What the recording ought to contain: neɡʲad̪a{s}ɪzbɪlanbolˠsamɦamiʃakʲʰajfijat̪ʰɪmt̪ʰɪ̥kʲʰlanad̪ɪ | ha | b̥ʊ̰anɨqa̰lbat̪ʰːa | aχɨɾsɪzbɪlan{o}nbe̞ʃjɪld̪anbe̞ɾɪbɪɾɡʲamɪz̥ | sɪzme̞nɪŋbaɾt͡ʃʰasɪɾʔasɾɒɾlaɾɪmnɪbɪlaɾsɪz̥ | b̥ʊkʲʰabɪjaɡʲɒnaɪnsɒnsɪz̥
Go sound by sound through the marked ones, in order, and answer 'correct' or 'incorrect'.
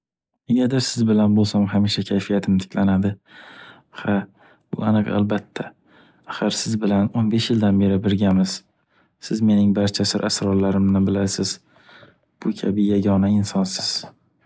correct, correct

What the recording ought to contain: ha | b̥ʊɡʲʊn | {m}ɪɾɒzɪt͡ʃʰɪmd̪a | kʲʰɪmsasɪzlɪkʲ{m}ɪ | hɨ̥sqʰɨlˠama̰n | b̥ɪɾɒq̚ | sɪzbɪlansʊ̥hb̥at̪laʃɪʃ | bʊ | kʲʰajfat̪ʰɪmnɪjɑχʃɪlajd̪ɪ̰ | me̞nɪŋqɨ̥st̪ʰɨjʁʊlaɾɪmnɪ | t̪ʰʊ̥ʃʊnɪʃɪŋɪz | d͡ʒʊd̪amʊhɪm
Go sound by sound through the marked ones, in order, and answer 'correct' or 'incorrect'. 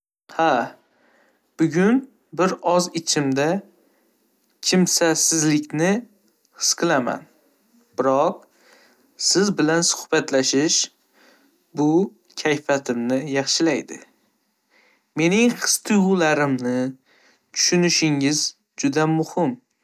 incorrect: b, incorrect: n

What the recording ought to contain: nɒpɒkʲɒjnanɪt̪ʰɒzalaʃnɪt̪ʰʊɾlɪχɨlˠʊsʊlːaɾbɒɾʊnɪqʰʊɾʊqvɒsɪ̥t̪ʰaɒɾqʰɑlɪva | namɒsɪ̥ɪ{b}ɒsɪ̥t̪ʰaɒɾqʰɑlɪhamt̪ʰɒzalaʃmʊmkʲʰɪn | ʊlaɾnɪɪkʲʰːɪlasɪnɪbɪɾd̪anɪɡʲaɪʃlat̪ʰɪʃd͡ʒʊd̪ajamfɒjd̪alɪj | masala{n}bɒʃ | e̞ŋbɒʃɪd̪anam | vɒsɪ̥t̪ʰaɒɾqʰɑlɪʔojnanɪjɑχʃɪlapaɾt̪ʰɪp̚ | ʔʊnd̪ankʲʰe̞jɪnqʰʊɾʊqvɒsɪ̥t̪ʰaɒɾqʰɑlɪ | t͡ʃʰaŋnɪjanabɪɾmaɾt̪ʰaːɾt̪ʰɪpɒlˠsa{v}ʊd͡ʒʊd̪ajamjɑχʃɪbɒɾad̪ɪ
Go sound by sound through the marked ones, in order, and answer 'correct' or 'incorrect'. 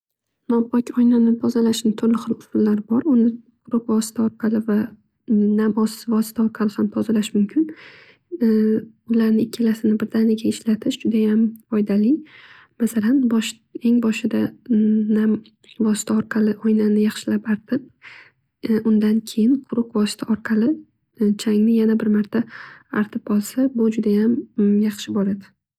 incorrect: v, correct, incorrect: b

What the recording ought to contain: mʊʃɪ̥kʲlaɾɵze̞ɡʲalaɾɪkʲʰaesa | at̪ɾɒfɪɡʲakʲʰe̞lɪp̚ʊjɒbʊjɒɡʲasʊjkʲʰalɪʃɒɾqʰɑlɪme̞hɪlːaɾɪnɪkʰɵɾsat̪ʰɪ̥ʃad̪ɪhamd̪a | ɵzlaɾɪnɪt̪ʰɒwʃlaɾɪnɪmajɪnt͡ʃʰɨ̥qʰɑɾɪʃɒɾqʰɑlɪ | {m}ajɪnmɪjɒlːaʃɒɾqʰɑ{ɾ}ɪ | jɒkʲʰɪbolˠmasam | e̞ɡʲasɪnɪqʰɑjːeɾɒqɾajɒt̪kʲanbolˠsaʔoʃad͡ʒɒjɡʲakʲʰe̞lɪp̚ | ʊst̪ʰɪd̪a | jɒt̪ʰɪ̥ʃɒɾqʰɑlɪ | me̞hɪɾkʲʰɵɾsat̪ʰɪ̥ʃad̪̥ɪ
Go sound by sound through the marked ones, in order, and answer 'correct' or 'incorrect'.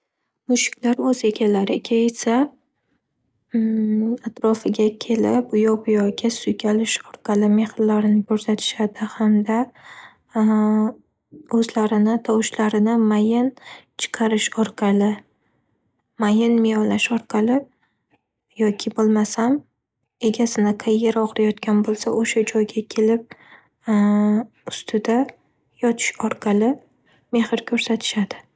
correct, incorrect: l

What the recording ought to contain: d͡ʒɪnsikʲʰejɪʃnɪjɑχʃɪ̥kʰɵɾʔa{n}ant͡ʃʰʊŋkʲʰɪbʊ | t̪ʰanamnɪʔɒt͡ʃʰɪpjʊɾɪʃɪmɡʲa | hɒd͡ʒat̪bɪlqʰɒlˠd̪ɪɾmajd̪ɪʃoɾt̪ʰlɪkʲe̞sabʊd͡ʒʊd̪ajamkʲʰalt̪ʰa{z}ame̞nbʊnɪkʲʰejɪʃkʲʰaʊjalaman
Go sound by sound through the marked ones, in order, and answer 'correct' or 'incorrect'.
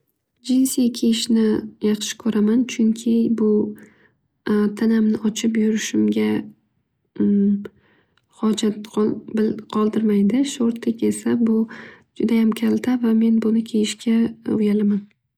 incorrect: m, incorrect: v

